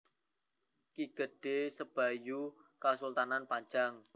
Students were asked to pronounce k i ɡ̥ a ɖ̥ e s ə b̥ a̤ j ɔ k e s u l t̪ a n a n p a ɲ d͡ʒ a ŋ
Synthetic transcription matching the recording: k i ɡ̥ ə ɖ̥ e s ə b̥ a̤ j u k a s u l t̪ a n a n p a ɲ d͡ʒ a ŋ